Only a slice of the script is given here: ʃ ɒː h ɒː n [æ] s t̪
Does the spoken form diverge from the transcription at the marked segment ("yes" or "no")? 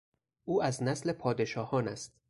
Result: no